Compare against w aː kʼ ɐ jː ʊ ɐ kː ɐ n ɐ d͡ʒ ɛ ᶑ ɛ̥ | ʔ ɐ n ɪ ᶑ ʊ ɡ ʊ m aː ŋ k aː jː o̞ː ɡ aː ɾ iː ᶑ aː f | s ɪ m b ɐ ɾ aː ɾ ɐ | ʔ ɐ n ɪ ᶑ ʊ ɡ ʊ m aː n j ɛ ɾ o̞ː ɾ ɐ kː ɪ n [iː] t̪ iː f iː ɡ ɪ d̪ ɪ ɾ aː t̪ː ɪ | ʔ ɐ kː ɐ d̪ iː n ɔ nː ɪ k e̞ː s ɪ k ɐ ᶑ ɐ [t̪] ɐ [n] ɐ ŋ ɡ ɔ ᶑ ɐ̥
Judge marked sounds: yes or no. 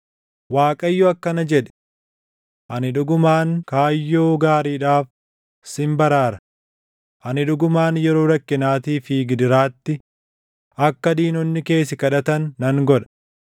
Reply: no, yes, no

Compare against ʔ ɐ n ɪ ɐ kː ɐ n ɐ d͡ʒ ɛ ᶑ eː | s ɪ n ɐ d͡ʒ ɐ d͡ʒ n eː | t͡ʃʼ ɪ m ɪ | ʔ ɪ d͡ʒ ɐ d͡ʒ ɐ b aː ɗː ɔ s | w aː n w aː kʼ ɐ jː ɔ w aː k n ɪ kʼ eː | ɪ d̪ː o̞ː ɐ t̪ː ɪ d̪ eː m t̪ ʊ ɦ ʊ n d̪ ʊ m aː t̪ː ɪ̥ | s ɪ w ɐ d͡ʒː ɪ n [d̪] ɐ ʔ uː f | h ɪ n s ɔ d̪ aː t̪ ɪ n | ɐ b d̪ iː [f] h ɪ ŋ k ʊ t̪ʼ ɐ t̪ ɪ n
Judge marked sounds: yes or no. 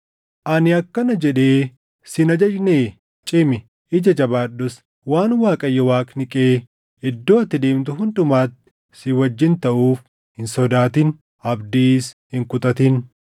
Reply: no, no

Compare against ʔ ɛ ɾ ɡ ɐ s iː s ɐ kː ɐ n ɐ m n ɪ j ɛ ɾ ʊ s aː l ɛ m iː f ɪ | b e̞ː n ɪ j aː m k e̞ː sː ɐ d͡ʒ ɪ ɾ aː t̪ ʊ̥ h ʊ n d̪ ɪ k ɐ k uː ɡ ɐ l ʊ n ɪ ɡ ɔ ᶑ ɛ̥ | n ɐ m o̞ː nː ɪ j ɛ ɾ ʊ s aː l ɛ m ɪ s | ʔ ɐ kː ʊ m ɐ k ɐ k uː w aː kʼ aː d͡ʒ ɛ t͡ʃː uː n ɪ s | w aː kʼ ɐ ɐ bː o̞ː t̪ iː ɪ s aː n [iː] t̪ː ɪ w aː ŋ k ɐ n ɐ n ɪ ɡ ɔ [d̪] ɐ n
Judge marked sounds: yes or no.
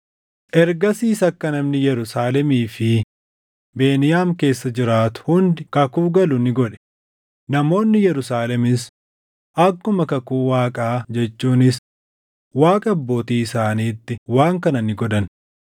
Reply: yes, yes

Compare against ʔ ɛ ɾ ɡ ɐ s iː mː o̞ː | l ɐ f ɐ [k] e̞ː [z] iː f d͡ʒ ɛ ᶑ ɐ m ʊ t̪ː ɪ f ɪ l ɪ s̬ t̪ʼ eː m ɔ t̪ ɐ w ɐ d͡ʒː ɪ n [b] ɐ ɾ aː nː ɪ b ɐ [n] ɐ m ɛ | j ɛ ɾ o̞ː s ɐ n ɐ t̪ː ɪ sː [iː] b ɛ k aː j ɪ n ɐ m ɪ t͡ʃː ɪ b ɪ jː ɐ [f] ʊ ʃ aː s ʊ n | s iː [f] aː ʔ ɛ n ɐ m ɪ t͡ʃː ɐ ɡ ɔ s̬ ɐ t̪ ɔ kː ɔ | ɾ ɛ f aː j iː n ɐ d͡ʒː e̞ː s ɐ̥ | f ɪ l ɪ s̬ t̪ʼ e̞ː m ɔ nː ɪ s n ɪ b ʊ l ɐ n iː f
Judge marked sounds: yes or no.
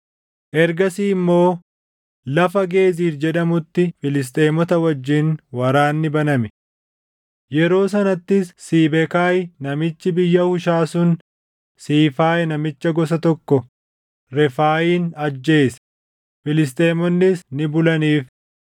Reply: no, yes, no, yes, yes, no, yes

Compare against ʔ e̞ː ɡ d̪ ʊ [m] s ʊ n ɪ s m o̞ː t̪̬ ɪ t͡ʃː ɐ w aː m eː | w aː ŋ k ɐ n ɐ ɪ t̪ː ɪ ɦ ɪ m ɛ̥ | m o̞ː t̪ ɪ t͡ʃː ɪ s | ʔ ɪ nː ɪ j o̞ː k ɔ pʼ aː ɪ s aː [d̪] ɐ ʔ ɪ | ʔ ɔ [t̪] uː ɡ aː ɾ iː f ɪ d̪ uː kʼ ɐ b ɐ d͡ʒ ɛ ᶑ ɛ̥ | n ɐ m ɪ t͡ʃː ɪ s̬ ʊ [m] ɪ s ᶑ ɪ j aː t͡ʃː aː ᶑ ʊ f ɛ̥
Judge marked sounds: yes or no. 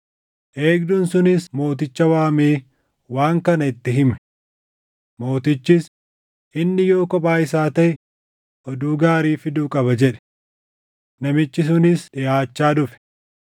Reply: no, no, no, no

